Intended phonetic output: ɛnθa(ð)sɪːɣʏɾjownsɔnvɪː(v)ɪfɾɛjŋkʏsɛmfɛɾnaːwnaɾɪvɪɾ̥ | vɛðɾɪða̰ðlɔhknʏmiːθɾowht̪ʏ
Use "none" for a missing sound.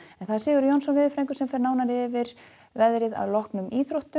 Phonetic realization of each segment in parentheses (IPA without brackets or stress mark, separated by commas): ð, ð